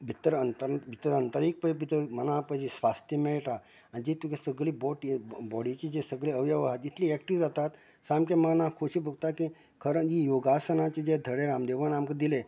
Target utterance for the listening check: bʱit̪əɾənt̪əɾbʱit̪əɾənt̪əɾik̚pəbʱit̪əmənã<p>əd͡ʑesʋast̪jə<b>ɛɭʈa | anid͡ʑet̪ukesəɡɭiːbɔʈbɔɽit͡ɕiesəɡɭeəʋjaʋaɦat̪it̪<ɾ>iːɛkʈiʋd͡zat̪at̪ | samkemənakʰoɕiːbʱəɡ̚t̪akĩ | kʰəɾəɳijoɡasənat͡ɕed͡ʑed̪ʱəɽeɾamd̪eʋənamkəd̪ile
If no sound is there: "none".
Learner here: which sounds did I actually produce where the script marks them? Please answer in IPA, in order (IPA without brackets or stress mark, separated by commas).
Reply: p, m, l